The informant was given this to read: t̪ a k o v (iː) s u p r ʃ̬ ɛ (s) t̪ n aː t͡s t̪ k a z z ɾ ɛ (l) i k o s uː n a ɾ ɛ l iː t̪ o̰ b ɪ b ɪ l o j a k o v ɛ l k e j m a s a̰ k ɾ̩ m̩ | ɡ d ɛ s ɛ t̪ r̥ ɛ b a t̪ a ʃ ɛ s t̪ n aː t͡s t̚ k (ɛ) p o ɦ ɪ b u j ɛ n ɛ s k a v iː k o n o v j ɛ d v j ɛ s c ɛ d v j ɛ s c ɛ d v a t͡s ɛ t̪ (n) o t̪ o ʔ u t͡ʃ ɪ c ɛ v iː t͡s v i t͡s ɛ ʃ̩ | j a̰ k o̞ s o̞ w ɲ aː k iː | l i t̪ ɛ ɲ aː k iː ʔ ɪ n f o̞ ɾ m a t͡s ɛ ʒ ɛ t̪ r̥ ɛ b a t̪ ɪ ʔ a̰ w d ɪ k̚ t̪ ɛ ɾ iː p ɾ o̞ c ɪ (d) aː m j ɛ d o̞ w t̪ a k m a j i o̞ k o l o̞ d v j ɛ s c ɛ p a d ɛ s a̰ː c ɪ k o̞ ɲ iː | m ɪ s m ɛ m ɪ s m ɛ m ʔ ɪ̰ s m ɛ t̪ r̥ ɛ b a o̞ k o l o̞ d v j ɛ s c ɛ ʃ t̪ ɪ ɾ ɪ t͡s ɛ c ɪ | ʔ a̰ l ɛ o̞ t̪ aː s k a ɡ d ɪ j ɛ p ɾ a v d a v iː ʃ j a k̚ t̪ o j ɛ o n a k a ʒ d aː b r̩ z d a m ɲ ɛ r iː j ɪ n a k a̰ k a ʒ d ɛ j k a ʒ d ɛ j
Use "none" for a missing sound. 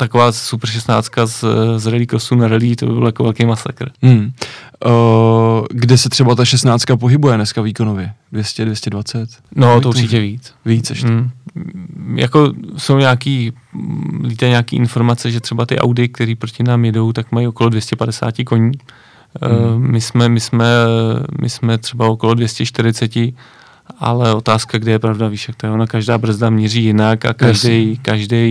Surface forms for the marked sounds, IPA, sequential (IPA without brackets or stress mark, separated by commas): aː, s, l, a, n, n